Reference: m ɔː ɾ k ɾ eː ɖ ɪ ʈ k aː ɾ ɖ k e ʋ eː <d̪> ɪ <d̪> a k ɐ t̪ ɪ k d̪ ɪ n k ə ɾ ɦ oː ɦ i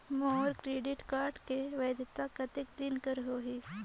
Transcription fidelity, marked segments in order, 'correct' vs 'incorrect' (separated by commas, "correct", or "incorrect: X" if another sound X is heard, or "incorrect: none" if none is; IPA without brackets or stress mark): correct, incorrect: t̪